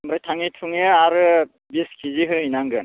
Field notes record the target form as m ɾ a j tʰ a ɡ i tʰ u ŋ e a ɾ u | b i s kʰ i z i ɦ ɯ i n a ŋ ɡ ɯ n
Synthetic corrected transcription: m ɾ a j tʰ a ŋ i tʰ u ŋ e a ɾ ɯ | b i s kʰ i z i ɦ ɯ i n a ŋ ɡ ɯ n